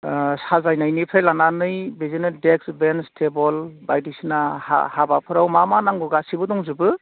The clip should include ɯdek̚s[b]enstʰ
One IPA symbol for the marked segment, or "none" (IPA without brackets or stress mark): b